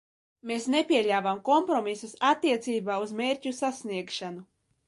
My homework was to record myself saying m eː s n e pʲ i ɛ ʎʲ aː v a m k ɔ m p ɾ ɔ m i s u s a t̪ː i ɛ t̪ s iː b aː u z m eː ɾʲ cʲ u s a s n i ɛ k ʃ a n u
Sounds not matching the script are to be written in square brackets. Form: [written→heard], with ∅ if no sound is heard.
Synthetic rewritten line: m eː s n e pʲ i ɛ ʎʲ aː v a m k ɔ m p ɾ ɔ m i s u s a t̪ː i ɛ t̪ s iː b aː u z m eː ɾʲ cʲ u s a s n i ɛ k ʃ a n u